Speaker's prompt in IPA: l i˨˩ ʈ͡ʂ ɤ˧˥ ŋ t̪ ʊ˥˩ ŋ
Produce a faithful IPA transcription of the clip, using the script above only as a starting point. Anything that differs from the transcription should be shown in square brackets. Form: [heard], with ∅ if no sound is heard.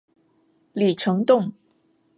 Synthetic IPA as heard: l i˨˩ [ʈ͡ʂʰ] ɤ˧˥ ŋ t̪ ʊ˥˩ ŋ